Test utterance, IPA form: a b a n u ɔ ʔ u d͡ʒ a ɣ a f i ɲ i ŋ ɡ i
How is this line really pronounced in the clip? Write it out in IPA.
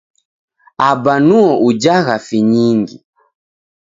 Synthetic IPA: a b a n u ɔ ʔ u d͡ʒ a ɣ a f i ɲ i ŋ ɡ i

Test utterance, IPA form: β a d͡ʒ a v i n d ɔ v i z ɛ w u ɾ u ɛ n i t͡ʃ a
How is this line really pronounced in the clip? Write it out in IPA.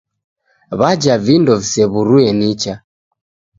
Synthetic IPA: β a d͡ʒ a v i n d ɔ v i s ɛ β u ɾ u ɛ n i t͡ʃ a

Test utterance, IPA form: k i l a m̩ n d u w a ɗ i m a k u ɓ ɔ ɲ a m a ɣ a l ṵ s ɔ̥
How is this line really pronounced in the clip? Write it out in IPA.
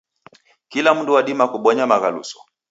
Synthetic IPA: k i l a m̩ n d u w a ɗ i m a k u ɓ ɔ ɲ a m a ɣ a l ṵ s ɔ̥

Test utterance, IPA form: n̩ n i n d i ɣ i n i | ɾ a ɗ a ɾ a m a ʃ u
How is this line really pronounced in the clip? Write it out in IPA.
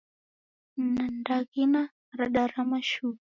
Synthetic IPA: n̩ n a n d a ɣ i n a | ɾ a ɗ a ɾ a m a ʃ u

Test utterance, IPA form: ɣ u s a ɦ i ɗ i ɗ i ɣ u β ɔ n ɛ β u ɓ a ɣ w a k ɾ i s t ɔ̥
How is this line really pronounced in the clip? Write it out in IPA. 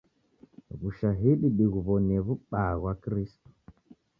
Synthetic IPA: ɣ u ʃ a ɦ i ɗ i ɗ i ɣ u β ɔ n ɛ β u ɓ a ɣ w a k ɾ i s t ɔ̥

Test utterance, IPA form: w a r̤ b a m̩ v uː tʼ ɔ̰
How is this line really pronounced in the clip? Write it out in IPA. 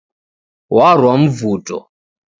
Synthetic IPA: w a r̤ w a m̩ v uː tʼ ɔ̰

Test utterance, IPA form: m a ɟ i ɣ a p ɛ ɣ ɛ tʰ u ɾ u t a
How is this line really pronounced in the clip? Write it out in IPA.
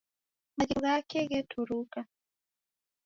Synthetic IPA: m a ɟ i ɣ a k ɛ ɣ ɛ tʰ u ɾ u k a

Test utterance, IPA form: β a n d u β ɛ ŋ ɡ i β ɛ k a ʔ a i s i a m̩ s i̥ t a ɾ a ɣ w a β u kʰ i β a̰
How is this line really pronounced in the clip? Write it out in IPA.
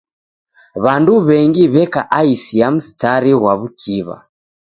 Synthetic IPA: β a n d u β ɛ ŋ ɡ i β ɛ k a ʔ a i s i a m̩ s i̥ t a ɾ i ɣ w a β u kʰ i β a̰

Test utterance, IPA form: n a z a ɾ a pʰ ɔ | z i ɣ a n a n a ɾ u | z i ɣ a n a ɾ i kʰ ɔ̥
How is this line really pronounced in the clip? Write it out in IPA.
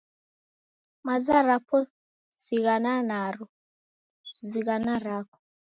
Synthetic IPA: m a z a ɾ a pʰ ɔ | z i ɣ a n a n a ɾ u | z i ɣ a n a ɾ a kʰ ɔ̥

